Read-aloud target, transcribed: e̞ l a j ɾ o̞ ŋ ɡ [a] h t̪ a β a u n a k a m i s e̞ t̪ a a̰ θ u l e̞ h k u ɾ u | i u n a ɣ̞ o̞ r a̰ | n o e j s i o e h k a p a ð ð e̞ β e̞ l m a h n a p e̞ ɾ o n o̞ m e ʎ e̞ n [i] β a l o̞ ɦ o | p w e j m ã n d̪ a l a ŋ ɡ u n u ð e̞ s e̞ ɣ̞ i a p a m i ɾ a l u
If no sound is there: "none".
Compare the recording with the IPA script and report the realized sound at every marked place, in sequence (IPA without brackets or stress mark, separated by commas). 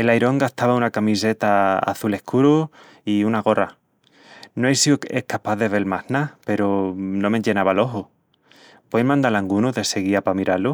a, a